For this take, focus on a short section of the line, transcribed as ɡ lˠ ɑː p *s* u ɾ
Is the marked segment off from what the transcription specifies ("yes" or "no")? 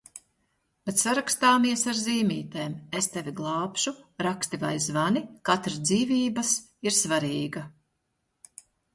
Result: yes